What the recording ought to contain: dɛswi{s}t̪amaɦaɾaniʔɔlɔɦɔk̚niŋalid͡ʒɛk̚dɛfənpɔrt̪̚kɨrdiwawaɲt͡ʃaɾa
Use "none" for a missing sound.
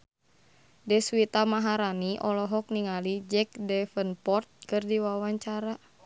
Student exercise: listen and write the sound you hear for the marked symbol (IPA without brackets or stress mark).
none